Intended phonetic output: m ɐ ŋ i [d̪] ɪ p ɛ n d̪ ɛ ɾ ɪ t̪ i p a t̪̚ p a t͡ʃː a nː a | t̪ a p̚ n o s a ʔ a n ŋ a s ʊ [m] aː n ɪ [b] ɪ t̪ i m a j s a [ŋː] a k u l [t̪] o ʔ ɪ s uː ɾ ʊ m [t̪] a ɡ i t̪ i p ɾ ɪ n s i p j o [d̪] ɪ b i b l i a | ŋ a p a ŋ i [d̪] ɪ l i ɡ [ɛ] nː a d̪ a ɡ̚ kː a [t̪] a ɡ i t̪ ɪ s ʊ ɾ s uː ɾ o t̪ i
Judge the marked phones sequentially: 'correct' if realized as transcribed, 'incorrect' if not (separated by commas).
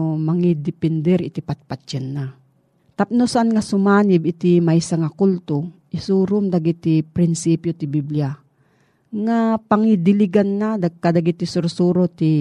correct, correct, correct, incorrect, correct, incorrect, incorrect, correct, incorrect, incorrect